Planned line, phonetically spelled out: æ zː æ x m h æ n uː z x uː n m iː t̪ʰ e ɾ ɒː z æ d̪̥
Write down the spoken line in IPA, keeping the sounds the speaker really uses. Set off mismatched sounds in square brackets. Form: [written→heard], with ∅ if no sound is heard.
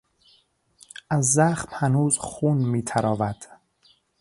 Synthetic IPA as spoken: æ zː æ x m h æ n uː z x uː n m iː t̪ʰ [e→æ] ɾ ɒː [z→v] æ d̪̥